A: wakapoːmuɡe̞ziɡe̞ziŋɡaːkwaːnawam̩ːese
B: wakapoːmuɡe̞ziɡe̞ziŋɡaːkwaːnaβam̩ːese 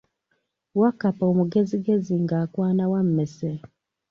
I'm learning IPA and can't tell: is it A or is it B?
A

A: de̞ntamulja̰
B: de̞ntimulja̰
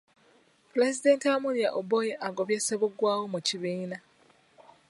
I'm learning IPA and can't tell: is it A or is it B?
A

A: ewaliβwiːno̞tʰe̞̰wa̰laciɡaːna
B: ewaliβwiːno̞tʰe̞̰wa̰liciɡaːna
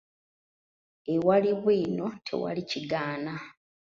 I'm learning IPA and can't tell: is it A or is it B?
B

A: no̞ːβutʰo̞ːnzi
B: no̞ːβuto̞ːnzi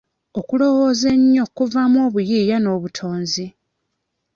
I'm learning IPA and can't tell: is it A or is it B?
A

